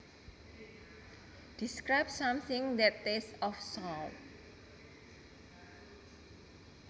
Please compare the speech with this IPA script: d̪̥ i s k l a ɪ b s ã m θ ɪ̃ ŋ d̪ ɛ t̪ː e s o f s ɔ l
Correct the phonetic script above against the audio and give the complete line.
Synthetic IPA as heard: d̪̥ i s k ɾ a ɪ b s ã m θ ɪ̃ ŋ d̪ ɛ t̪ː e s ɔ f s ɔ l